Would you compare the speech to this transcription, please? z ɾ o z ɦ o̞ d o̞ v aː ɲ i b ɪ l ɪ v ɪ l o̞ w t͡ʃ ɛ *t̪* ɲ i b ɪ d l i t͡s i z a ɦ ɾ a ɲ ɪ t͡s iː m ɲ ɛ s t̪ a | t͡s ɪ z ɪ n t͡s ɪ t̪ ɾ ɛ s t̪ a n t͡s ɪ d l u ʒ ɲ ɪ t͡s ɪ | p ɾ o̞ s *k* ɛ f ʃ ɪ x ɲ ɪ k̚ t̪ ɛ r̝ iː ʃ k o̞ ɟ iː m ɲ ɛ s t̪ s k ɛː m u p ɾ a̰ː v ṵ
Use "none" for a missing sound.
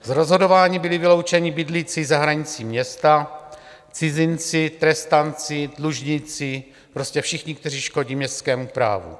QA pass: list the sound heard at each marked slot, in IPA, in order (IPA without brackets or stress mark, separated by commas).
none, c